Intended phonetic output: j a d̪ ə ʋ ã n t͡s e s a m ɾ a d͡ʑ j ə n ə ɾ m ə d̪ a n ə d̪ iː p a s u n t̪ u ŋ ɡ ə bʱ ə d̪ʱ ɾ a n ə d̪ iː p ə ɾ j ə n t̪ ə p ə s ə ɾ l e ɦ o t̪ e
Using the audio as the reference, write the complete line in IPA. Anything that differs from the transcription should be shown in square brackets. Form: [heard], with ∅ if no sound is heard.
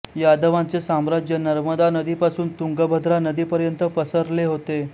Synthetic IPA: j a d̪ ə ʋ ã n t͡s e s a m ɾ a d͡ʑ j ə n ə ɾ m ə d̪ a n ə d̪ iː p a s [uː] n t̪ u ŋ ɡ ə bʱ ə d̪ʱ ɾ a n ə d̪ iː p ə ɾ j ə n t̪ ə p ə s ə ɾ l e ɦ o t̪ e